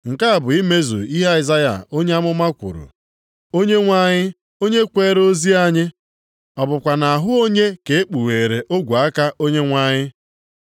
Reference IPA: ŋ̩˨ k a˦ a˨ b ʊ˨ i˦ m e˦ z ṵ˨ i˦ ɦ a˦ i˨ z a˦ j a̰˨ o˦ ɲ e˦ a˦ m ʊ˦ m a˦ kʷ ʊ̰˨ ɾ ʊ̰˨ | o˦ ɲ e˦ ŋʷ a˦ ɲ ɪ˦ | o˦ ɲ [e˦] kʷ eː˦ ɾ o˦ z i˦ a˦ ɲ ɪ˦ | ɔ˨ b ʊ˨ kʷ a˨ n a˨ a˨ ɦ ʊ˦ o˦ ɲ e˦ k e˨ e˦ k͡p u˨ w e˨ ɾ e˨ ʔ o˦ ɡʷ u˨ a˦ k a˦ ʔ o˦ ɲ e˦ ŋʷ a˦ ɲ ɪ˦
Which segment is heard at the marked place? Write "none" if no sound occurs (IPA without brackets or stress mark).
e˦